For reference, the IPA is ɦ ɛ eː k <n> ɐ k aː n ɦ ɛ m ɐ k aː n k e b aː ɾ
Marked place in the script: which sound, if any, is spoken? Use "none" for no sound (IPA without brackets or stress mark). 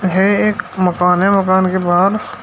m